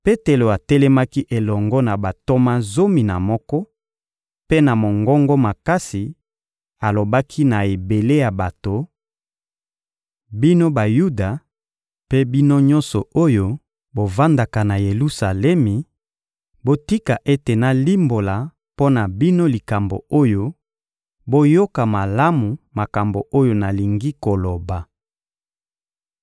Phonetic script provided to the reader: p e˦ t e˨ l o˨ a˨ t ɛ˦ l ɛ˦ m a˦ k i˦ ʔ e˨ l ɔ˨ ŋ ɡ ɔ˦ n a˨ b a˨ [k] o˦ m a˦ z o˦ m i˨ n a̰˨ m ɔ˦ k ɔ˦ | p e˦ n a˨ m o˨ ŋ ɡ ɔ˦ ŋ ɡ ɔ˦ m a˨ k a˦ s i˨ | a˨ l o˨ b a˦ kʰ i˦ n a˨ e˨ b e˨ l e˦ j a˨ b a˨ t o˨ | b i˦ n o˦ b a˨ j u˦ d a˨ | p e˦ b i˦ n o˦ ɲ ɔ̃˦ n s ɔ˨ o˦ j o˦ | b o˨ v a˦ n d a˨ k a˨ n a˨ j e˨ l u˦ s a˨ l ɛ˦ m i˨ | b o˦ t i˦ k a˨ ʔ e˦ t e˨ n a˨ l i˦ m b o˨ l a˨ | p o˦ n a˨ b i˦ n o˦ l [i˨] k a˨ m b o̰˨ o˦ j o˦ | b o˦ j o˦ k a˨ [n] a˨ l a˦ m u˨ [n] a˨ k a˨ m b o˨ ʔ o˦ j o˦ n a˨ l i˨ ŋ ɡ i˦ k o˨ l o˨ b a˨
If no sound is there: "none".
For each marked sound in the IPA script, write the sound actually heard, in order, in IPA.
t, i˨, m, m

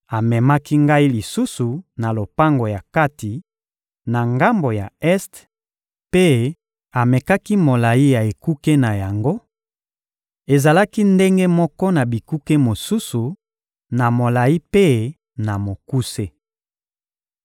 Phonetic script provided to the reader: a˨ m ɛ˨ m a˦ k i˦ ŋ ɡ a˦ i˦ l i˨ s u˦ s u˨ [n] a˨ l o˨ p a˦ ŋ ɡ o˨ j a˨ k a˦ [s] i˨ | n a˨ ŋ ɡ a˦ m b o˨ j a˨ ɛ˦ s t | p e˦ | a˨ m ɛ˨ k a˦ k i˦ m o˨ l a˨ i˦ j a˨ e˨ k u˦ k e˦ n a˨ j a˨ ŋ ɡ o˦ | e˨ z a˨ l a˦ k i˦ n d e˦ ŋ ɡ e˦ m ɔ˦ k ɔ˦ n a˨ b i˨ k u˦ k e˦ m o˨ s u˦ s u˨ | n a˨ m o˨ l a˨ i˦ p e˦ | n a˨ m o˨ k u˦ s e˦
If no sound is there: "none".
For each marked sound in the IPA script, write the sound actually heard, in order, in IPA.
n, t

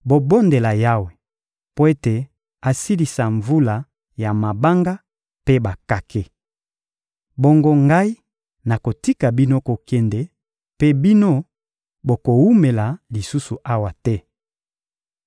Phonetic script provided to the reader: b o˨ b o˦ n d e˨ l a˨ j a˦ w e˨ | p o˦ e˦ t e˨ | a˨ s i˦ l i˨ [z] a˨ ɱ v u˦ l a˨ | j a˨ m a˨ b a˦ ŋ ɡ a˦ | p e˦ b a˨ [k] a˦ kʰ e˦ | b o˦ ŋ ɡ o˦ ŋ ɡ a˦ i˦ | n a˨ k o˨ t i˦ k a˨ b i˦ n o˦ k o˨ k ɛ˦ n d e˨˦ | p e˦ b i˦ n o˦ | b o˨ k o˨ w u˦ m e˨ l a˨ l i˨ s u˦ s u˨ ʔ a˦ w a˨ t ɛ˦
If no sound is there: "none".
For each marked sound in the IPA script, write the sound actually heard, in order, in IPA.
s, k

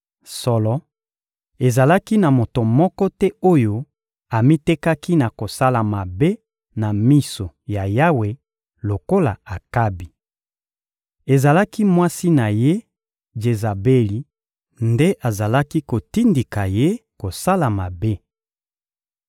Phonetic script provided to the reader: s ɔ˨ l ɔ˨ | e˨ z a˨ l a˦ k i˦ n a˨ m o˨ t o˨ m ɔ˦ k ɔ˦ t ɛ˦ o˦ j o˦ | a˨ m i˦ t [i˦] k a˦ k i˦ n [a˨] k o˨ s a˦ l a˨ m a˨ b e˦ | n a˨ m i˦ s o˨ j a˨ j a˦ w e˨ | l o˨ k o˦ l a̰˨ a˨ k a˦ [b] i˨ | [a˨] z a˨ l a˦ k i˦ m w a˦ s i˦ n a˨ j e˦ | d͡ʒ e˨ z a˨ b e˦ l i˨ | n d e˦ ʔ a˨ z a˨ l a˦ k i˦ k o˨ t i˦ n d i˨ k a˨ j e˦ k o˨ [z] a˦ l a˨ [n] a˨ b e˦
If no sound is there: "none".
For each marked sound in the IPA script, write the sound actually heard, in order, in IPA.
e˦, a˨, b, e˨, s, m

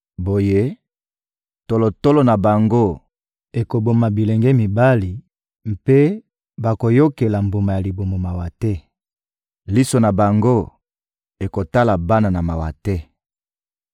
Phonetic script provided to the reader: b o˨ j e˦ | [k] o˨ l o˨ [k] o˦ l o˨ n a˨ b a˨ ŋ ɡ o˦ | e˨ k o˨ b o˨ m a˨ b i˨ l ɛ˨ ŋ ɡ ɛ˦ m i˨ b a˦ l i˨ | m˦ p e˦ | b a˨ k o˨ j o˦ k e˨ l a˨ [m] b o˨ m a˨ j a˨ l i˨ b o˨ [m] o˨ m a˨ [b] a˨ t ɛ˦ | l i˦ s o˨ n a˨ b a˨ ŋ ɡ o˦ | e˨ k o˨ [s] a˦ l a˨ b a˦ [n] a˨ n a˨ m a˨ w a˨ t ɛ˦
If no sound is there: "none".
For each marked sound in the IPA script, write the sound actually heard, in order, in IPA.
t, t, m, m, w, t, n

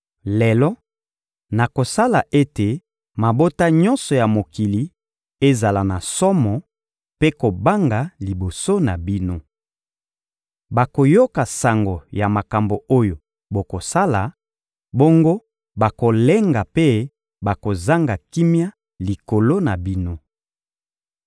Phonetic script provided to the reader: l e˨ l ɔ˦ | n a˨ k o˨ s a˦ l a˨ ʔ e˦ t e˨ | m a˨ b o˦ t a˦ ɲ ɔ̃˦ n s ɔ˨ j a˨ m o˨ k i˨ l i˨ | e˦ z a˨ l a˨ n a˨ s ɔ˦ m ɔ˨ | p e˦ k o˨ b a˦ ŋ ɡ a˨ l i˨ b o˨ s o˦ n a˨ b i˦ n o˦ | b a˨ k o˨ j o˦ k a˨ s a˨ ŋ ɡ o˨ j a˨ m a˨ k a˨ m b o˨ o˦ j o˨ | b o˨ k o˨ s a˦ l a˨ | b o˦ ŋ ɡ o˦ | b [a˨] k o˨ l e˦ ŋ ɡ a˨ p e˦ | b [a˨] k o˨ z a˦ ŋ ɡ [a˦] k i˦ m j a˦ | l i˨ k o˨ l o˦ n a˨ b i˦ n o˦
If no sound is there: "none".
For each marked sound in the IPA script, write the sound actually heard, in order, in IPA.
a˨, a˨, a˨

